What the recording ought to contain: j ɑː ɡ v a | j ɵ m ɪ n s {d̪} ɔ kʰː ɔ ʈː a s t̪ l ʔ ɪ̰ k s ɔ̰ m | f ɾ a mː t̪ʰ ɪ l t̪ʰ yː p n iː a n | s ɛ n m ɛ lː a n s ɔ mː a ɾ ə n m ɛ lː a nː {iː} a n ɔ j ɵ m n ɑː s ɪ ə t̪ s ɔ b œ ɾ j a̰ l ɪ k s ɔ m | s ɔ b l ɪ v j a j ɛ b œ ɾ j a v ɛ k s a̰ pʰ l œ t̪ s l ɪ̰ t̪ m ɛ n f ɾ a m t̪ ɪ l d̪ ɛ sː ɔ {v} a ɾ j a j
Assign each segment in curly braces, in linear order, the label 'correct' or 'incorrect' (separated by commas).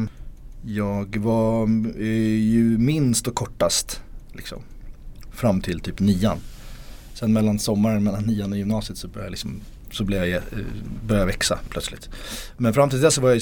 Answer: incorrect, correct, correct